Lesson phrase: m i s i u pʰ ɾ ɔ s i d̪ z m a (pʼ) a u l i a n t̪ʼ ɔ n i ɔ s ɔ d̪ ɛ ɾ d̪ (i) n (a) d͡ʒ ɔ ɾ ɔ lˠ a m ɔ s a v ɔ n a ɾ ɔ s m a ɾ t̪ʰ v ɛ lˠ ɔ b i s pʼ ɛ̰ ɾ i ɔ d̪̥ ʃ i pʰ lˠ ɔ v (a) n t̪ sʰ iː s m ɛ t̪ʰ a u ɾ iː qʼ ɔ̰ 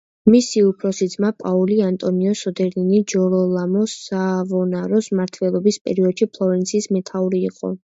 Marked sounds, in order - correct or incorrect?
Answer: correct, correct, incorrect: i, incorrect: ɛ

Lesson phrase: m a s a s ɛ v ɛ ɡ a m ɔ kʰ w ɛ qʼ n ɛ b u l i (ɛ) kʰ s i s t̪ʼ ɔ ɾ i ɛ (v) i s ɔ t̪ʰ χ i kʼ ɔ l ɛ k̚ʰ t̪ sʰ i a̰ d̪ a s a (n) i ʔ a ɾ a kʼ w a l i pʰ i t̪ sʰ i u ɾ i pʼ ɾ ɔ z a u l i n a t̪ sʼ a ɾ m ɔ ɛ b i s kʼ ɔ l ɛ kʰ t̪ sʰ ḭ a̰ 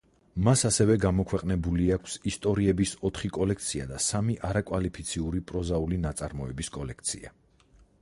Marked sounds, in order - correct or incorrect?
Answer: incorrect: a, incorrect: b, incorrect: m

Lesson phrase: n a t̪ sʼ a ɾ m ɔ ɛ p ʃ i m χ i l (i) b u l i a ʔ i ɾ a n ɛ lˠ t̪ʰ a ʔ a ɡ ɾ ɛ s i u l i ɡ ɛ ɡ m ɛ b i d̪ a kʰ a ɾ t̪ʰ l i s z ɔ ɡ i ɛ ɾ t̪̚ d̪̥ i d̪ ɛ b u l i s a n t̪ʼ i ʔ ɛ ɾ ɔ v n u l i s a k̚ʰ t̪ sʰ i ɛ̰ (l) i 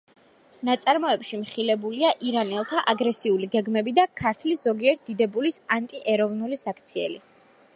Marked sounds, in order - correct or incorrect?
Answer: incorrect: ɛ, correct

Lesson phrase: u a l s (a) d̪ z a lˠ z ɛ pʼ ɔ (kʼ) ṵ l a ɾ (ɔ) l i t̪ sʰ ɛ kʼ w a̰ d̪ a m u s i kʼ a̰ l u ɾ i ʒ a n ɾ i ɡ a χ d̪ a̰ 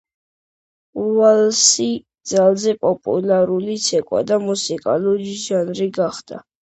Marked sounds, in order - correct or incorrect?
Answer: incorrect: i, incorrect: pʼ, incorrect: u

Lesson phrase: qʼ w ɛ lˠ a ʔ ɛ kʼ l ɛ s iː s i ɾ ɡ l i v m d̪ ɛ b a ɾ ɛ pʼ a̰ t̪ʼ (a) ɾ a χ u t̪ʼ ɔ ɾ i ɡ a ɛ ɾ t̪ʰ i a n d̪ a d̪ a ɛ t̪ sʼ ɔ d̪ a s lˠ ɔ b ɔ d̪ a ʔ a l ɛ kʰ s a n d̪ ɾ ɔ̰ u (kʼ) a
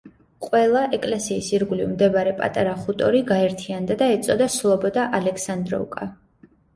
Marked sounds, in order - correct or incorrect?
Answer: correct, correct

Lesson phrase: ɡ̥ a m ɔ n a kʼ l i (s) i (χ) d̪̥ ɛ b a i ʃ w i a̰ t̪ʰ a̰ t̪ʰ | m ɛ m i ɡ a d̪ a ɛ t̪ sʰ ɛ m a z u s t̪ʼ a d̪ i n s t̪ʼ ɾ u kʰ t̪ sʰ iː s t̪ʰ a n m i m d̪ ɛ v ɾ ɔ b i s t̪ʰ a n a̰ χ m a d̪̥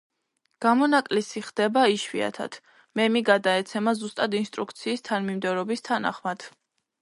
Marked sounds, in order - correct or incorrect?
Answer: correct, correct

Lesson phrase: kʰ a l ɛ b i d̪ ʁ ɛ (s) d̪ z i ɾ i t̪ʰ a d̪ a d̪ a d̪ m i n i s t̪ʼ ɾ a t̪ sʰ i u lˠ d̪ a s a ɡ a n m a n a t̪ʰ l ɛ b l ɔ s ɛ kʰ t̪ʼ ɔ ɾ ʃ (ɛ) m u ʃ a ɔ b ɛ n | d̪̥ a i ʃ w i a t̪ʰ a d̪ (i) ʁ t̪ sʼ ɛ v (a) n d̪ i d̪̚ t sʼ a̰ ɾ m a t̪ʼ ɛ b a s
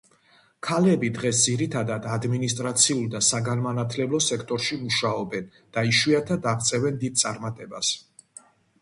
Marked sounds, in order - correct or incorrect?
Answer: correct, incorrect: i, incorrect: a, incorrect: ɛ

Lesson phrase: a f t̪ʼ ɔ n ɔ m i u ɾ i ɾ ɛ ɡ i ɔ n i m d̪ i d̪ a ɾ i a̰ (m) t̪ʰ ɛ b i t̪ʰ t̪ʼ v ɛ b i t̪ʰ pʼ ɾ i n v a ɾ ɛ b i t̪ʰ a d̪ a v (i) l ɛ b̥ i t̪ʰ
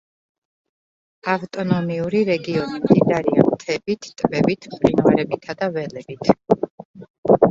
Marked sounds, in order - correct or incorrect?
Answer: correct, incorrect: ɛ

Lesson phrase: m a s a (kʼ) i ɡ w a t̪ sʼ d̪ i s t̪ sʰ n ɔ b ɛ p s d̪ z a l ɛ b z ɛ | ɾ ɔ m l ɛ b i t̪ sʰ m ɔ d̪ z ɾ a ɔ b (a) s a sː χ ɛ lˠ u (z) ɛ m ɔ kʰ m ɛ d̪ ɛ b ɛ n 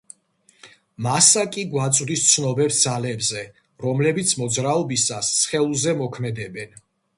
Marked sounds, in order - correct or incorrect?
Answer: correct, incorrect: i, correct

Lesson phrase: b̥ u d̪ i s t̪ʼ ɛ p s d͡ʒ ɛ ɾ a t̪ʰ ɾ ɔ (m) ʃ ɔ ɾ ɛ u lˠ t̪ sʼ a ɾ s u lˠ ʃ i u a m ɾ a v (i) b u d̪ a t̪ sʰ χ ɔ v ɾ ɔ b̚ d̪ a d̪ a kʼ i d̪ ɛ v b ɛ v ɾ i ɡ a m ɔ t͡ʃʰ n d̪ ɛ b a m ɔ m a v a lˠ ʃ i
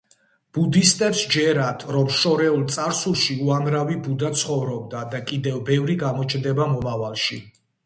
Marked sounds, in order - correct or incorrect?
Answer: correct, correct

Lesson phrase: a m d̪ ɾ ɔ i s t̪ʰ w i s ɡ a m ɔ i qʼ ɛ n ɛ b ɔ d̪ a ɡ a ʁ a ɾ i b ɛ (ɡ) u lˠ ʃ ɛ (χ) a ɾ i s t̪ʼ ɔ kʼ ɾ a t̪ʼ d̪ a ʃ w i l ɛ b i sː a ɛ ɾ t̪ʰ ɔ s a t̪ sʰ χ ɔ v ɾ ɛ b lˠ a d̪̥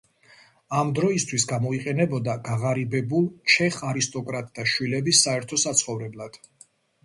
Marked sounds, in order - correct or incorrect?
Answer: incorrect: b, correct

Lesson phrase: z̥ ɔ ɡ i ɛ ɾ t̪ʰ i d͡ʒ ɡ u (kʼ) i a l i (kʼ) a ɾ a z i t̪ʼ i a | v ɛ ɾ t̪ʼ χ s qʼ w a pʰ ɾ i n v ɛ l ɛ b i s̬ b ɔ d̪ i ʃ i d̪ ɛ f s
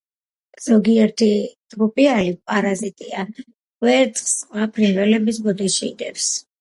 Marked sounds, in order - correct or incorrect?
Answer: incorrect: pʼ, incorrect: pʼ

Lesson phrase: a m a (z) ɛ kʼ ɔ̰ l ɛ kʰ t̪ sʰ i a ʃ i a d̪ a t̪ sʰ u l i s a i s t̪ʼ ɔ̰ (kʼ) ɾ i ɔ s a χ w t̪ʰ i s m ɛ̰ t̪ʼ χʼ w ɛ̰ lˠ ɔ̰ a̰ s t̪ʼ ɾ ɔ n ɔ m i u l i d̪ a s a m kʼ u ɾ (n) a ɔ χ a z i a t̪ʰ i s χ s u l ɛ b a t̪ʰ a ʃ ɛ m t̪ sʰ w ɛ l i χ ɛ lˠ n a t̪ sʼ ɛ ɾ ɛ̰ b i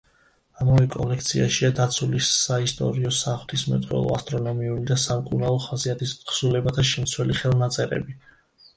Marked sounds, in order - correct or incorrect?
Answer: incorrect: v, incorrect: none, correct

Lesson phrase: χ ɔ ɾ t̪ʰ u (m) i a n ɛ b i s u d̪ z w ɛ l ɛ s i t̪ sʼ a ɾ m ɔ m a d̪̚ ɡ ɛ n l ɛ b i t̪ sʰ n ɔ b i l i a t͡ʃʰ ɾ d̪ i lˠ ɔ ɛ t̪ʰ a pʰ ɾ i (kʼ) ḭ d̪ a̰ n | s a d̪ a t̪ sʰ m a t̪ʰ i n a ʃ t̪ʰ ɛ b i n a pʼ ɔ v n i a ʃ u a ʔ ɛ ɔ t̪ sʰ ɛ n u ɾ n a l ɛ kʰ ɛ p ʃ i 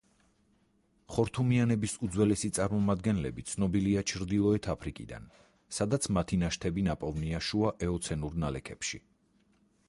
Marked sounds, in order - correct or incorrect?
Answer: correct, correct

